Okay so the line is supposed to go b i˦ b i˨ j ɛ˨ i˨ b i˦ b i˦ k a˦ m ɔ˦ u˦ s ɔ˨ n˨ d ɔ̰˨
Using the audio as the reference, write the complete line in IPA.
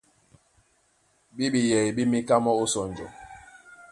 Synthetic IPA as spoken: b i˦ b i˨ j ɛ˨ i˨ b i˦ m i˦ k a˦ m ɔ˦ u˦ s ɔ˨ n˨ d͡ʒ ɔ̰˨